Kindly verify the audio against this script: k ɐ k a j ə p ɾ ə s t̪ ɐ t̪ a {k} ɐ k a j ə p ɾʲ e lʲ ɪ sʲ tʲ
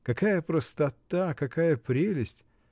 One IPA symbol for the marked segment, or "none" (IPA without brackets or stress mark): k